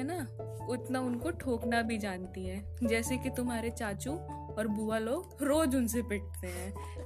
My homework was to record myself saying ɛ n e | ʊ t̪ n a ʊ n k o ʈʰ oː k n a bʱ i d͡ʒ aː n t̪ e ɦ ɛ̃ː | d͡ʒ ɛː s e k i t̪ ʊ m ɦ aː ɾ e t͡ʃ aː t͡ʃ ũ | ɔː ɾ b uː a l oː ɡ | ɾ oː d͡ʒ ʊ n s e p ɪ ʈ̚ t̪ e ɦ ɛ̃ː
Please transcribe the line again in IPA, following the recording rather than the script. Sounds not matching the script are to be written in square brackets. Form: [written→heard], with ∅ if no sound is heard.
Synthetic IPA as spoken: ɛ n [e→a] | ʊ t̪ n a ʊ n k o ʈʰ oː k n a bʱ i d͡ʒ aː n t̪ [e→i] ɦ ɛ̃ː | d͡ʒ ɛː s e k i t̪ ʊ m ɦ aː ɾ e t͡ʃ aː t͡ʃ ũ | ɔː ɾ b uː a l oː ɡ | ɾ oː d͡ʒ ʊ n s e p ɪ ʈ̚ t̪ e ɦ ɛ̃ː